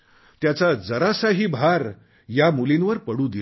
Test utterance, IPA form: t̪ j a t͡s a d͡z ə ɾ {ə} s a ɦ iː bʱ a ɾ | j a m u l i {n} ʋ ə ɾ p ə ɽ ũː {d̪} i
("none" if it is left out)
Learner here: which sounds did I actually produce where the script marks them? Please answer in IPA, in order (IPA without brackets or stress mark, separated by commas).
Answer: a, n, d̪